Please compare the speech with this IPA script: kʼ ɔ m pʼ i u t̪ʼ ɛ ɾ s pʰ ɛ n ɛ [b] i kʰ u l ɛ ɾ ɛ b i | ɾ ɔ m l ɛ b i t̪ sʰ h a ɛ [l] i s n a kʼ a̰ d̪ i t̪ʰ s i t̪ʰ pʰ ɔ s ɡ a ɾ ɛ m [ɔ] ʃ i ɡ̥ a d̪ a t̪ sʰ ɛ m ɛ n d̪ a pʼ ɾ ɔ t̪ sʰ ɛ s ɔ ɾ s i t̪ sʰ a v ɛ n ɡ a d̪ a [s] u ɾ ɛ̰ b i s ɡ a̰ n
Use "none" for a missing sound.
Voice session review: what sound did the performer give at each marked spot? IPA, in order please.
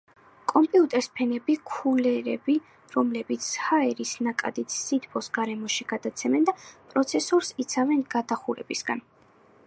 b, ɾ, ɔ, χ

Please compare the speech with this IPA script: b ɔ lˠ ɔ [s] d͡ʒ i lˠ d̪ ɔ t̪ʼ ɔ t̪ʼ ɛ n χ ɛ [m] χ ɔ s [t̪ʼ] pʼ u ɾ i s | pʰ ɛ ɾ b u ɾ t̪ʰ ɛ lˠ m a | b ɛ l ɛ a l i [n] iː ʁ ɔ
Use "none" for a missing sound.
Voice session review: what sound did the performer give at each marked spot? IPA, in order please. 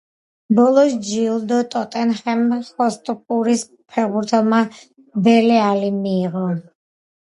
s, m, t̪ʼ, m

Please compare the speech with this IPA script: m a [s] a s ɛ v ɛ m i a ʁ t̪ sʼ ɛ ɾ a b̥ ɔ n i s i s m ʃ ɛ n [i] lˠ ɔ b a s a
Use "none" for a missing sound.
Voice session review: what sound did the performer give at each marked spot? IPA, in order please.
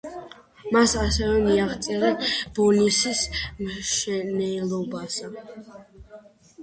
s, ɛ

